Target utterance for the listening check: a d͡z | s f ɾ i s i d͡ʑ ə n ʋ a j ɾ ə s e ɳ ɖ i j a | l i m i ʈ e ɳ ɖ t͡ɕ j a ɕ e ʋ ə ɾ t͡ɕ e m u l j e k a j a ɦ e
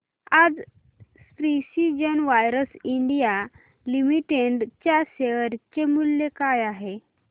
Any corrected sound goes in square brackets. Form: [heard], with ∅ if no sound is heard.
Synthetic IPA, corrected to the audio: a d͡z | s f ɾ i s i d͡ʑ ə n ʋ a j ɾ ə s [i] ɳ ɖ i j a | l i m i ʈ e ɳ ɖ t͡ɕ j a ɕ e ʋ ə ɾ t͡ɕ e m u l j e k a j a ɦ e

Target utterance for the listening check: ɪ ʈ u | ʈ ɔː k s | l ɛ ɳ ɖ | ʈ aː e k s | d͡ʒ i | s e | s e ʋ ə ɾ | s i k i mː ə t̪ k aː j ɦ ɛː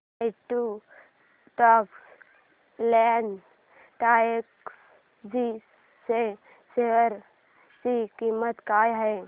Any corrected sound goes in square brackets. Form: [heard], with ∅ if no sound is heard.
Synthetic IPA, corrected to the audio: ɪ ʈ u | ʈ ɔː k s | l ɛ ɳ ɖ | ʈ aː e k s | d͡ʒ i | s e | s e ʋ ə ɾ | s i k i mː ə t̪ k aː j ɦ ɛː

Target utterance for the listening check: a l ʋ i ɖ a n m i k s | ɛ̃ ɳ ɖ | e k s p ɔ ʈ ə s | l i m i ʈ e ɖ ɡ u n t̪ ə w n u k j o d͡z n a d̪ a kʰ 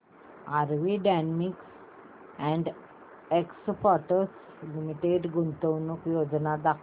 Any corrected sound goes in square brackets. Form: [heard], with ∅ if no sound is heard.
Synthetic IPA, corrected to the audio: a [ɾ] ʋ i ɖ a n m i k s | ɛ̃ ɳ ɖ | e k s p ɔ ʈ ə s | l i m i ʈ e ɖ ɡ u n t̪ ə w n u k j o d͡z n a d̪ a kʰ

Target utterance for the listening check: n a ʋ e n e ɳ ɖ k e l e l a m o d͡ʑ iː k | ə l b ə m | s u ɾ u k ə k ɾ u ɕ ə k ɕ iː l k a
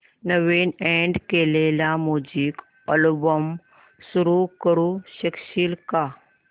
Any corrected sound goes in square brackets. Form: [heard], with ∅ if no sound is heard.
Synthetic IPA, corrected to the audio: n [ə] ʋ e n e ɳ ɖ k e l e l a m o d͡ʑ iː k | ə l b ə m | s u ɾ u k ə [∅] ɾ u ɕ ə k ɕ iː l k a

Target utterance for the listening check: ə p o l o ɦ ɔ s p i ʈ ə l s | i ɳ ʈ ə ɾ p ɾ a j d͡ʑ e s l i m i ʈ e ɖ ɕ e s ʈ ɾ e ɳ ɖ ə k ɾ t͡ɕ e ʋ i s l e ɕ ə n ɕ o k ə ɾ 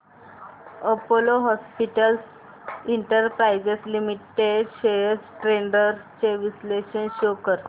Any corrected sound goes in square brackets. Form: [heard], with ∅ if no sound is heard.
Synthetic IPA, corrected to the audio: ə p o l o ɦ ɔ s p i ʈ ə l s | i ɳ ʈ ə ɾ p ɾ a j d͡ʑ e s l i m i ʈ e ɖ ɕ e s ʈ ɾ e ɳ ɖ ə [∅] ɾ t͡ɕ e ʋ i s l e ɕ ə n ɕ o k ə ɾ

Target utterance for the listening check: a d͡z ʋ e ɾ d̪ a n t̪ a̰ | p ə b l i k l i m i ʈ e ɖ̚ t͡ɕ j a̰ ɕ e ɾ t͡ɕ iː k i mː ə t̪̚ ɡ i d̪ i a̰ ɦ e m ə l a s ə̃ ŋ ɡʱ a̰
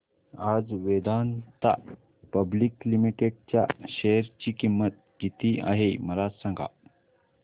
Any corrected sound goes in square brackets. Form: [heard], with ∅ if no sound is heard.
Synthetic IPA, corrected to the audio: a d͡z ʋ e [∅] d̪ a n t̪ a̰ | p ə b l i k l i m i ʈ e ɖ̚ t͡ɕ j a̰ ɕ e ɾ t͡ɕ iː k i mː ə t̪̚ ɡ i [t̪] i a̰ ɦ e m ə l a s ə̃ ŋ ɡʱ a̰

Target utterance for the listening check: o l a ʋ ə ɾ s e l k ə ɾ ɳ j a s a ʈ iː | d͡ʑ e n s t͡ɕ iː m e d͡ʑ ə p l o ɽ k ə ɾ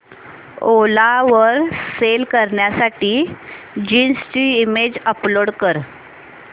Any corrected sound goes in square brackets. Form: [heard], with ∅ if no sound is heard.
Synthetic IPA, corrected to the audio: o l a ʋ ə ɾ s e l k ə ɾ ɳ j a s a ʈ iː | d͡ʑ [i] n s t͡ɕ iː m e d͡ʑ ə p l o ɽ k ə ɾ

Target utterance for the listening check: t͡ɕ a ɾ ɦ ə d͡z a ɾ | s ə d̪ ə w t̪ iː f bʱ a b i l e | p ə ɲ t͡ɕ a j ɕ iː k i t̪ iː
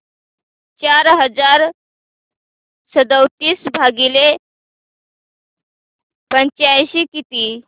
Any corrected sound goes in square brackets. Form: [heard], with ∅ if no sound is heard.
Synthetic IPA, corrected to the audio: t͡ɕ a ɾ ɦ ə d͡z a ɾ | s ə d̪ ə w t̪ iː [s] bʱ a [ɡ] i l e | p ə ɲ t͡ɕ a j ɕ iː k i t̪ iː

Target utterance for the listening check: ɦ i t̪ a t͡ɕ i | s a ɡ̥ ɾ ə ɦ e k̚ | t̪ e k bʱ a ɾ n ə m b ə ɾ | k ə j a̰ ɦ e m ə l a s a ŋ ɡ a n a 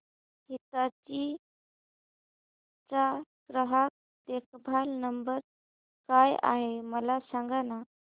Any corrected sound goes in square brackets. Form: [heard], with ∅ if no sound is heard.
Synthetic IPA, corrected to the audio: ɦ i t̪ a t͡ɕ i | [t͡s] a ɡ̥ ɾ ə ɦ [a] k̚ | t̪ e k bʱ a [l] n ə m b ə ɾ | k [a] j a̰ ɦ e m ə l a s a ŋ ɡ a n a

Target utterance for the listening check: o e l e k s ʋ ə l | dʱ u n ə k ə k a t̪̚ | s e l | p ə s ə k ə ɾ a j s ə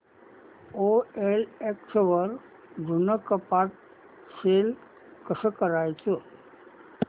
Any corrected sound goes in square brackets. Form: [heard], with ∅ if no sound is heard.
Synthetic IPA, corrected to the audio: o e l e k s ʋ ə [ɾ] | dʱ u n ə k ə [p] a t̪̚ | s e l | [k] ə s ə k ə ɾ a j [t͡s] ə

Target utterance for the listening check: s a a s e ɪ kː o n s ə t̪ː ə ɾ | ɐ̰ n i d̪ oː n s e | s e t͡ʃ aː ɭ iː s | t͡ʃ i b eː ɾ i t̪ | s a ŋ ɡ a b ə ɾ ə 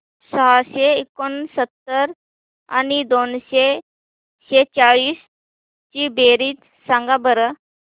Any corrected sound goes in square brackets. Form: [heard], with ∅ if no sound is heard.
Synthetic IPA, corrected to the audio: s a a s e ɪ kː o n s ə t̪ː ə ɾ | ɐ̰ n i d̪ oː n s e | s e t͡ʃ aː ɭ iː s | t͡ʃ i b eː ɾ i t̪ | s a ŋ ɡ a b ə ɾ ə

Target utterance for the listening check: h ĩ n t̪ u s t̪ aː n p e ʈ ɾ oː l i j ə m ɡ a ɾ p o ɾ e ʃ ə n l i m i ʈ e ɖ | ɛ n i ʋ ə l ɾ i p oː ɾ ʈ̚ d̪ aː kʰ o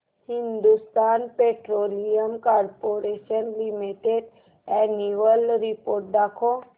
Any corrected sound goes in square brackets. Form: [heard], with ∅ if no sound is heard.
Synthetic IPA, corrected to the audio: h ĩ n [d̪] u s t̪ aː n p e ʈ ɾ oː l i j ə m [k] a ɾ p o ɾ e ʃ ə n l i m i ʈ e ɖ | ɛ n i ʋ ə l ɾ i p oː ɾ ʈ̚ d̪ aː kʰ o

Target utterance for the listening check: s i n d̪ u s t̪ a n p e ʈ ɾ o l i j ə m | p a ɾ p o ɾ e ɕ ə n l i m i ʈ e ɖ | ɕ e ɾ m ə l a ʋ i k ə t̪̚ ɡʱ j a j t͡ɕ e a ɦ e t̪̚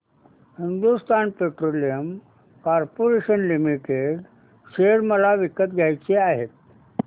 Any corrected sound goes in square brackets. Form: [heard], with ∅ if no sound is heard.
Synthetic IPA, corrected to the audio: [h] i n d̪ u s t̪ a n p e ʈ ɾ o l i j ə m | [k] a ɾ p o ɾ e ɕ ə n l i m i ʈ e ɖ | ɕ e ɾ m ə l a ʋ i k ə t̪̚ ɡʱ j a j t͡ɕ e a ɦ e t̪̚

